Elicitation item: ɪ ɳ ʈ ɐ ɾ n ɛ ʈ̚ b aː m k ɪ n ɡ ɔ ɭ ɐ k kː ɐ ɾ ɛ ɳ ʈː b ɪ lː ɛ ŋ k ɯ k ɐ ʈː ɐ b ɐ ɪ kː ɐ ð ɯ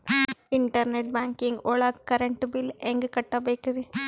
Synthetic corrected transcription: ɪ ɳ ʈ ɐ ɾ n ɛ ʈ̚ b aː ŋ k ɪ ŋ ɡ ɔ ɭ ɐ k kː ɐ ɾ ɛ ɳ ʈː b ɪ l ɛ ŋ ɡ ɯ k ɐ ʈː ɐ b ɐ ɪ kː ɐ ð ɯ